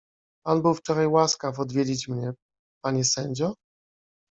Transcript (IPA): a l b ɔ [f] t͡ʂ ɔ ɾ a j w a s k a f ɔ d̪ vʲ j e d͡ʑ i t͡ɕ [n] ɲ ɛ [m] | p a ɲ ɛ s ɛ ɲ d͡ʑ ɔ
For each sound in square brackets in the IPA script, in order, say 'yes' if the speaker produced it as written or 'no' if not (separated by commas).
yes, no, no